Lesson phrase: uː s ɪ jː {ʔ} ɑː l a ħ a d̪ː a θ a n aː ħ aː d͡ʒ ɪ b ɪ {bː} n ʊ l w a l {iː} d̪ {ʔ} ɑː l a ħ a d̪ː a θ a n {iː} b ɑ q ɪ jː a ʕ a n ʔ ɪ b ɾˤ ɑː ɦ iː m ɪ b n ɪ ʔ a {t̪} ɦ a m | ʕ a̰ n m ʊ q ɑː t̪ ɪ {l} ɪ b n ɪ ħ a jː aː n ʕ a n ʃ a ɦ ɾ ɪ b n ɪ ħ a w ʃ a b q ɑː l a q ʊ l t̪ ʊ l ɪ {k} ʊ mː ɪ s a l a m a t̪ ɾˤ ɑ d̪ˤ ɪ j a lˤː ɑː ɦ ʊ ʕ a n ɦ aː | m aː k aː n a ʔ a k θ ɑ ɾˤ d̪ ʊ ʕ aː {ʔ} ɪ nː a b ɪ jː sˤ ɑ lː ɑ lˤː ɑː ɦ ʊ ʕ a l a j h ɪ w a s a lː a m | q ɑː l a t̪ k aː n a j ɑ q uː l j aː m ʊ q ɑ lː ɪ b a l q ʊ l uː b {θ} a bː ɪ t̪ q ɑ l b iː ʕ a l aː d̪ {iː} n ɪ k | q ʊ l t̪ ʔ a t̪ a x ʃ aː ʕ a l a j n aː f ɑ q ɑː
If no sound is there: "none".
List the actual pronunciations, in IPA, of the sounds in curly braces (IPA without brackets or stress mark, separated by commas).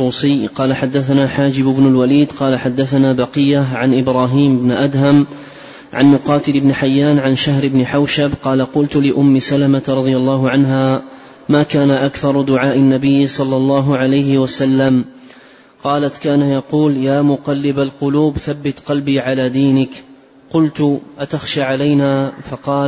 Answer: q, b, iː, q, aː, d̪, l, ʔ, ʔ, θ, iː